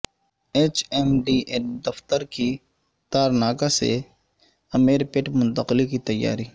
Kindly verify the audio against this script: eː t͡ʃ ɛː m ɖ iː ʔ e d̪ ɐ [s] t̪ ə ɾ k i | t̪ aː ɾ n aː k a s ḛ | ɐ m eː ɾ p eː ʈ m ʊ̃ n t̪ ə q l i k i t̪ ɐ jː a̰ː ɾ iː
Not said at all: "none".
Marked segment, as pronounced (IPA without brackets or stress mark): f